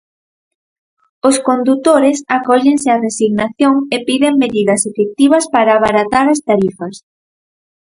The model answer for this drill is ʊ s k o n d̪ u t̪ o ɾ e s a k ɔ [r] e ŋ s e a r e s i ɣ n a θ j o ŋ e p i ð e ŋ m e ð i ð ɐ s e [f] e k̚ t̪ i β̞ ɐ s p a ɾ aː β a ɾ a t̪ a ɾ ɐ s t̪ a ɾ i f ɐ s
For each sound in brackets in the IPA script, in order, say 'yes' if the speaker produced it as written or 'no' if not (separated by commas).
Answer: no, yes